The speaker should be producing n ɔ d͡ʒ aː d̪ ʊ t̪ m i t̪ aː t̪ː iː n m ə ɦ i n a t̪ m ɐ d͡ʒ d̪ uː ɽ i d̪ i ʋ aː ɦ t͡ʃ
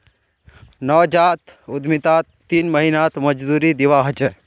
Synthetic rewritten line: n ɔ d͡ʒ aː t̪ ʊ d̪ m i t̪ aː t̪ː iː n m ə ɦ i n a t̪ m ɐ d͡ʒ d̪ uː ɾ i d̪ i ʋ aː ɦ t͡ʃ